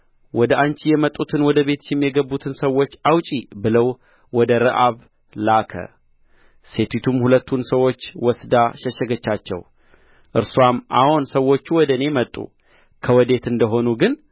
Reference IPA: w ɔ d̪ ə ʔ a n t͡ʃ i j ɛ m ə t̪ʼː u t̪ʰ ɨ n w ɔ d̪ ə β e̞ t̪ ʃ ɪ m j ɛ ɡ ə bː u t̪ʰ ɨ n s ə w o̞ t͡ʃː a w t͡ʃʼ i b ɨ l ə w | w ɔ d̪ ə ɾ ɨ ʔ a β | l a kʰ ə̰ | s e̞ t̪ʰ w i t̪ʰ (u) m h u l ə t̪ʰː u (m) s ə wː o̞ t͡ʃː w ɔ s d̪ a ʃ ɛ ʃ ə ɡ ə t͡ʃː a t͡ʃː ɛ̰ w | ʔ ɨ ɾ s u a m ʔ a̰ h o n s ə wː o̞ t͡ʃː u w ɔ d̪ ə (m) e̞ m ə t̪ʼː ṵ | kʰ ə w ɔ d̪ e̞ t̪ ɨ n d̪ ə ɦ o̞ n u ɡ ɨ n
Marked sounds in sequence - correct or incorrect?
correct, incorrect: n, incorrect: n

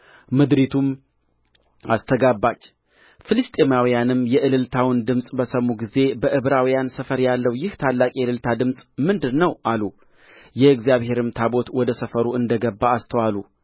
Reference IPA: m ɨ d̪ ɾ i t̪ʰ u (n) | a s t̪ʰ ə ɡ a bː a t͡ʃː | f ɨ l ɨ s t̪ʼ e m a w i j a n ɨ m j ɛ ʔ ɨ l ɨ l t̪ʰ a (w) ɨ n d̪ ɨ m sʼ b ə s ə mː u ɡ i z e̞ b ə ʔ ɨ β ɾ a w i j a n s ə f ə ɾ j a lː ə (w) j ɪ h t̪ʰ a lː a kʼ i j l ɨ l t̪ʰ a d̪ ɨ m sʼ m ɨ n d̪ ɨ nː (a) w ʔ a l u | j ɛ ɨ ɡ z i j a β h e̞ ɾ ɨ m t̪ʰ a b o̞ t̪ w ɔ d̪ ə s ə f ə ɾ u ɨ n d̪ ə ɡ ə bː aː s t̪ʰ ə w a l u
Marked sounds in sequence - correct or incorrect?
incorrect: m, correct, correct, incorrect: ə

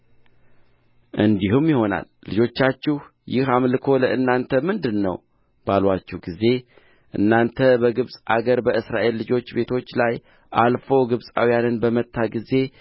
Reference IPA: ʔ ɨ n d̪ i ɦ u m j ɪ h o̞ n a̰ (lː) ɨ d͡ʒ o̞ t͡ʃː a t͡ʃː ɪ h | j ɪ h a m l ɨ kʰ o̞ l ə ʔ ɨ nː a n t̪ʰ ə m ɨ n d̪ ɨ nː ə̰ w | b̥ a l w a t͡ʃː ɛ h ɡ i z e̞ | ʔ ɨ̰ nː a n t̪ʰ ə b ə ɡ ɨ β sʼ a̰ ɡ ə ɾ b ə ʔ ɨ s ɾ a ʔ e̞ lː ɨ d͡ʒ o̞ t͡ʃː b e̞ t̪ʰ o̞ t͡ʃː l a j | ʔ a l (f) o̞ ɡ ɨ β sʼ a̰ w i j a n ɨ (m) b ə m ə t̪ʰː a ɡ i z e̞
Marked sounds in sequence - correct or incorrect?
correct, correct, incorrect: n

